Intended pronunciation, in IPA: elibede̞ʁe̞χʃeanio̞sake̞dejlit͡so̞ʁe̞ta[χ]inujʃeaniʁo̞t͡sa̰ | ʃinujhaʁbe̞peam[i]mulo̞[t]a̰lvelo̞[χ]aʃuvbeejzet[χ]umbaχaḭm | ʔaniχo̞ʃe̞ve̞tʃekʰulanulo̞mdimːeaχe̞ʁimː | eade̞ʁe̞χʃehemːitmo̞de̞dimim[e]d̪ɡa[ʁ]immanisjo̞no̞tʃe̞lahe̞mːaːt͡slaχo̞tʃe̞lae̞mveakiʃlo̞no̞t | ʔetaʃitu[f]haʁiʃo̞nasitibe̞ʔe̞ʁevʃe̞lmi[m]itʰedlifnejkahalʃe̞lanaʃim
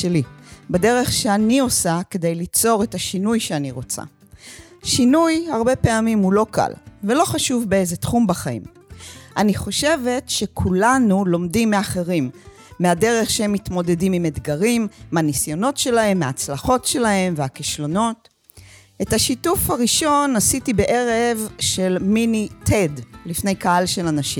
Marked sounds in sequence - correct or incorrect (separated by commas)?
incorrect, correct, incorrect, correct, correct, correct, correct, correct, incorrect